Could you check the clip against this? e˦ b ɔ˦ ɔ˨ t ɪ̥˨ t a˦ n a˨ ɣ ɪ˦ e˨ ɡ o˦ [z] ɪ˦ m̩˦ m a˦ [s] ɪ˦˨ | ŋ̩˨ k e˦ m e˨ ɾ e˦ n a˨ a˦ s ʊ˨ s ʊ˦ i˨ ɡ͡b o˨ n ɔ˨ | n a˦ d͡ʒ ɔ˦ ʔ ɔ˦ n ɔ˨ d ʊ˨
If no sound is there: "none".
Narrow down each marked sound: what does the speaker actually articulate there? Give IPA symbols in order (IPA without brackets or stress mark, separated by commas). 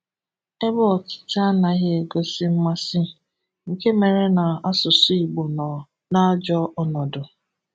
s, s